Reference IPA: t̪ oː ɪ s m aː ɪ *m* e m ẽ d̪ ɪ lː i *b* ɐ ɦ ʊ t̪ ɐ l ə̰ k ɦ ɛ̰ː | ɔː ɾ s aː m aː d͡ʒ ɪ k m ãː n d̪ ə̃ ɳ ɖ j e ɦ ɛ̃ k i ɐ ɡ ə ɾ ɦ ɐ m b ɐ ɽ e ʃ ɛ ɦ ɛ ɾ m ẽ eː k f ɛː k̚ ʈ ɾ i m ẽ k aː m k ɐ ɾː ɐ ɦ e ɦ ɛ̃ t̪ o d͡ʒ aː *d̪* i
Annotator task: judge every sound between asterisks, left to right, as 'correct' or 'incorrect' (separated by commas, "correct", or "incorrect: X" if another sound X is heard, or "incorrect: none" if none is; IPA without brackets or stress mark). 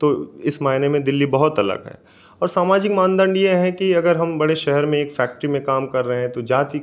incorrect: n, correct, incorrect: t̪